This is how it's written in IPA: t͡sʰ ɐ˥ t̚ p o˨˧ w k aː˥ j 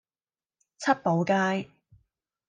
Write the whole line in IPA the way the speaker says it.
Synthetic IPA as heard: t͡sʰ ɐ˥ t̚ p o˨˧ w k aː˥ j